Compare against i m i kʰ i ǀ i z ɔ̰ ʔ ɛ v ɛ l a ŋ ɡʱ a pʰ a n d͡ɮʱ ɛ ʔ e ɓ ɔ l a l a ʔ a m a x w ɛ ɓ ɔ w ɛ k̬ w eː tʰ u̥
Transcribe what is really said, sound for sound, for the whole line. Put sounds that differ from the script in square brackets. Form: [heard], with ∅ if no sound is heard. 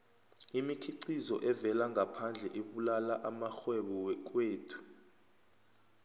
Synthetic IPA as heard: i m i kʰ i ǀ i z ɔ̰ ʔ ɛ v ɛ l a ŋ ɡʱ a pʰ a n d͡ɮʱ ɛ ʔ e ɓ [u] l a l a ʔ a m a x w ɛ ɓ ɔ w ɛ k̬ w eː tʰ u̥